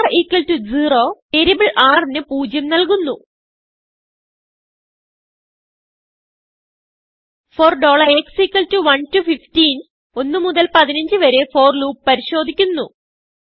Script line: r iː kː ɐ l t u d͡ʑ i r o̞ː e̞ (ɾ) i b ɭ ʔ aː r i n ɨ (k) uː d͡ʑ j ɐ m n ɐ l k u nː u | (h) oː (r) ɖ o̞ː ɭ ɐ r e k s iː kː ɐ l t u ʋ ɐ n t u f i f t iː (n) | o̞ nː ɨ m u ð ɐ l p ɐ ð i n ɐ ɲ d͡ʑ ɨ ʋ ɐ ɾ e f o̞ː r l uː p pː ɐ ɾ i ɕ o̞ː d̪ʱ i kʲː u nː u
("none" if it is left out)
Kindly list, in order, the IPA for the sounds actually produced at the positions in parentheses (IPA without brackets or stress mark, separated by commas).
ɾ, p, f, r, n